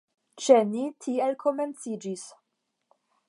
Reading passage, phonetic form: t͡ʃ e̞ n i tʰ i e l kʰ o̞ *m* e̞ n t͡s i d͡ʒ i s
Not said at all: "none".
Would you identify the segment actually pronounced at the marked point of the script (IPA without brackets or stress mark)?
m